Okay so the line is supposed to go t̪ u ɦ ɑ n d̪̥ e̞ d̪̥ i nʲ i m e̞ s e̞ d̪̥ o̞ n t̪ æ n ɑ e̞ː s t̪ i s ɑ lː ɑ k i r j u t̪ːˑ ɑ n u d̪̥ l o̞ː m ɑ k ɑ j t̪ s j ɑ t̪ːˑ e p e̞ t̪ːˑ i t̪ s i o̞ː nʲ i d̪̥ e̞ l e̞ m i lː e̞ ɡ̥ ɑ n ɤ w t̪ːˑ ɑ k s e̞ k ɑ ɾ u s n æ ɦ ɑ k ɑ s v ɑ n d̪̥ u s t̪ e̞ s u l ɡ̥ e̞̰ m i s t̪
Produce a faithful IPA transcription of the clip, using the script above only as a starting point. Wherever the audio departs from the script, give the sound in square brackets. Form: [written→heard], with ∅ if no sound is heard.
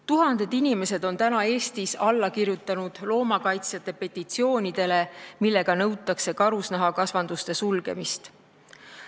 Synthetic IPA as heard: t̪ u ɦ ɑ n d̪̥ e̞ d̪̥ i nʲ i m e̞ s e̞ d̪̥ o̞ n t̪ æ n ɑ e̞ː s t̪ i s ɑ lː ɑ k i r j u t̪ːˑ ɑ n u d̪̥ l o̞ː m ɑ k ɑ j t̪ s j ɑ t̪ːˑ e p e̞ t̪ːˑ i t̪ s i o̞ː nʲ i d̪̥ e̞ l e̞ m i lː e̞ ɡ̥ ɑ n ɤ w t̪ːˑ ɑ k s e̞ k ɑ ɾ u s n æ ɦ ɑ k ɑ s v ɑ n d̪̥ u s t̪ e̞ s u l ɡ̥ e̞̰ m i s t̪